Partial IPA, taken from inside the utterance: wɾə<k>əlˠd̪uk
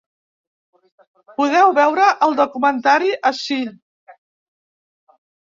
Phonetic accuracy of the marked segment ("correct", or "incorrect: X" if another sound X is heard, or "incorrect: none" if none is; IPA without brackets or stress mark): incorrect: ʔ